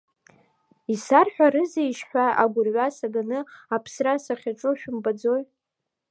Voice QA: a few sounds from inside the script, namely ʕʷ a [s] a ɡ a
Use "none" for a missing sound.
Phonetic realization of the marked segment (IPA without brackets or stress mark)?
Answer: s